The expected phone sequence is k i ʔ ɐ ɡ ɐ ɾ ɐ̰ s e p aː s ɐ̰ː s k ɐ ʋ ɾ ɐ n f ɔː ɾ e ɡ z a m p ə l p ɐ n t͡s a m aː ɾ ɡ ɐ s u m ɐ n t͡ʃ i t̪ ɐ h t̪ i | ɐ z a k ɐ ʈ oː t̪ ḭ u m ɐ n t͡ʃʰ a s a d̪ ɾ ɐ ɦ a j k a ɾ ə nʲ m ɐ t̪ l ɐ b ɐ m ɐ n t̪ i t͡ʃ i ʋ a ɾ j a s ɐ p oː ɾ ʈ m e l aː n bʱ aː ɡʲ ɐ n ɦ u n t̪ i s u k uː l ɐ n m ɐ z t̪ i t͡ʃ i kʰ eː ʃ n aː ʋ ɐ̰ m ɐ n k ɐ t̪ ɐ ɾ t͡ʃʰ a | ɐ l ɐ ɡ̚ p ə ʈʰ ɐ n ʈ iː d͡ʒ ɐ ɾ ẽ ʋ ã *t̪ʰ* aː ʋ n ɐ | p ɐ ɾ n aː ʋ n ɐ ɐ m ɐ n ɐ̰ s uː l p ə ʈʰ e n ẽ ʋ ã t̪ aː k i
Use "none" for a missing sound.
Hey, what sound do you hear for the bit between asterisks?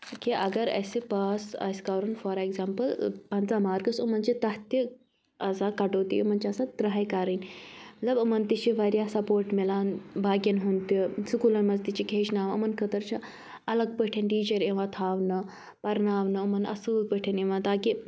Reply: t̪ʰ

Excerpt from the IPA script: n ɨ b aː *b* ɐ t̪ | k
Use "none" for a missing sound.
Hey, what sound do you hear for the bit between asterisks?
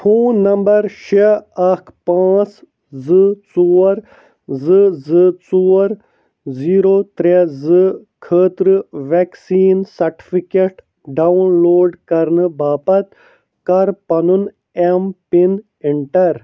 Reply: p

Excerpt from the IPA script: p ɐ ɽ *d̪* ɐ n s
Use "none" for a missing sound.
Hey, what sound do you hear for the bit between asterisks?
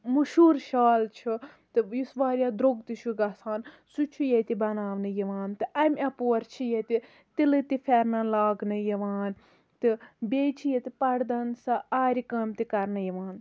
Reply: d̪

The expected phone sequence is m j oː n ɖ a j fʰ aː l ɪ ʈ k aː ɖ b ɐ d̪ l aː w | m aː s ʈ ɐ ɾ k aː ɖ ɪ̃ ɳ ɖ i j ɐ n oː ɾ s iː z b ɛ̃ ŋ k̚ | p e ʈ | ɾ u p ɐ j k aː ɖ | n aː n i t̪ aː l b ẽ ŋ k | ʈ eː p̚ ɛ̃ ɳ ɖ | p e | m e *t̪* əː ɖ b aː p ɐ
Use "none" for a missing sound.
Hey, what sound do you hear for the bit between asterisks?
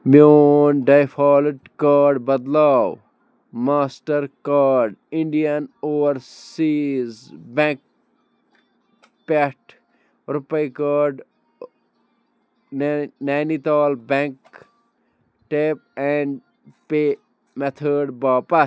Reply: t̪ʰ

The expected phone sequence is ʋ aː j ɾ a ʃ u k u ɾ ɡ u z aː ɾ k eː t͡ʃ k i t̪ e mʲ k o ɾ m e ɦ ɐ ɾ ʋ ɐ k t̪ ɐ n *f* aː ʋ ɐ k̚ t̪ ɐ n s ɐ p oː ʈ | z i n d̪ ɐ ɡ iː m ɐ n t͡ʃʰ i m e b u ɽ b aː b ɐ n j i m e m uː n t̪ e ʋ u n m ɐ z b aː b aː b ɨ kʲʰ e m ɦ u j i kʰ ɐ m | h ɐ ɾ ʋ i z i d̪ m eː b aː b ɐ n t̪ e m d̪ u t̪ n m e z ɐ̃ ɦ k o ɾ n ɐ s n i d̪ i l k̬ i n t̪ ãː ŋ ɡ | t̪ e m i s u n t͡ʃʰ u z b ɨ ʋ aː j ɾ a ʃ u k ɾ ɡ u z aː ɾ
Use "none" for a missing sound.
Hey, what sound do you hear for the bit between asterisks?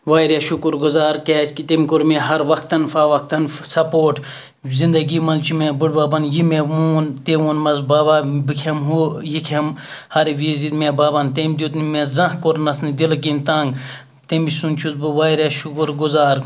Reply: f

